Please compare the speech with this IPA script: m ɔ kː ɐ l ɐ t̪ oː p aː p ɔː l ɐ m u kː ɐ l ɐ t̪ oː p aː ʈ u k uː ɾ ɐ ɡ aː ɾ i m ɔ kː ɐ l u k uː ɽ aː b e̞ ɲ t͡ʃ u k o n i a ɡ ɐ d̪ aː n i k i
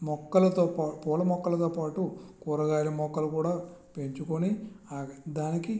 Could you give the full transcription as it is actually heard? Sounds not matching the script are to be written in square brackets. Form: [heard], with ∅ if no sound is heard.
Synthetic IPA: m ɔ kː ɐ l ɐ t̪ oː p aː p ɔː l ɐ m [ɔ] kː ɐ l ɐ t̪ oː p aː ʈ u k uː ɾ ɐ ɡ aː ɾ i m ɔ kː ɐ l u k uː ɽ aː [p] e̞ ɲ t͡ʃ u k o n i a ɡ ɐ d̪ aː n i k i